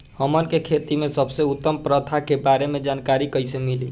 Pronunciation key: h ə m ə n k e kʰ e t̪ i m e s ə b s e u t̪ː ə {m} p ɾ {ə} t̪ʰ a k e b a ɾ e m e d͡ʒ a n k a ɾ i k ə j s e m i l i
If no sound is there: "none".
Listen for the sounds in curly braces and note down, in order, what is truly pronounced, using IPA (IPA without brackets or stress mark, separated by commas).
m, ə